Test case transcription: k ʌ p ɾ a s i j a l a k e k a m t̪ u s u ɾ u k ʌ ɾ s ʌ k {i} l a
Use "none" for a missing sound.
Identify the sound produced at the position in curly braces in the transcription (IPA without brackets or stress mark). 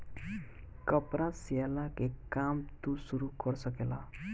e